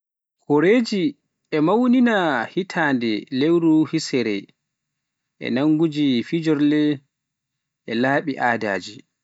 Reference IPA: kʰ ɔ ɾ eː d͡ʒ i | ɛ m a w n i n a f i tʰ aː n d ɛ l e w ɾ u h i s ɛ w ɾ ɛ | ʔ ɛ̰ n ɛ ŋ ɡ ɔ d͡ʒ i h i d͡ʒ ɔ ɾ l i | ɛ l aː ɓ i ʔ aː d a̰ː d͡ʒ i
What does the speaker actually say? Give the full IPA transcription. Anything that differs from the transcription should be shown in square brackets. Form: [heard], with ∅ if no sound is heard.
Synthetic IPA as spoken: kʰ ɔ ɾ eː d͡ʒ i | ɛ m a w n i n a [h] i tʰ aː n d ɛ l e w ɾ u h i s ɛ [∅] ɾ ɛ | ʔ ɛ̰ n [a] ŋ ɡ [u] d͡ʒ i [f] i d͡ʒ ɔ ɾ l [ɛ] | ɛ l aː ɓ i ʔ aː d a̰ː d͡ʒ i